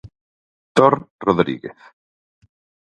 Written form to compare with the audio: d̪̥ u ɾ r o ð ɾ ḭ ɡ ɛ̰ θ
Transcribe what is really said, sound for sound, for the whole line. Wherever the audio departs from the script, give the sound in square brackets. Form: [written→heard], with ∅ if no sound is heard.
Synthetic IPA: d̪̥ [u→ɔ] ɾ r [o→ɔ] ð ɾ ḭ ɡ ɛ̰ θ